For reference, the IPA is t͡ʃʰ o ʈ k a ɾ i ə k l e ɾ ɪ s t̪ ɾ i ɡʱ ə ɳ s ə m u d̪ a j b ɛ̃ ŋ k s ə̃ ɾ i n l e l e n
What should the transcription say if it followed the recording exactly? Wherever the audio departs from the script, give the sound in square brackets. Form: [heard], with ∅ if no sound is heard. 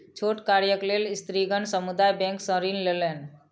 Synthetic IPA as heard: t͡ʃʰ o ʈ k a ɾ [j] ə k l e [l] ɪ s t̪ ɾ i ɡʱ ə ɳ s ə m u d̪ a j b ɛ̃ ŋ k s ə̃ ɾ i n l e l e n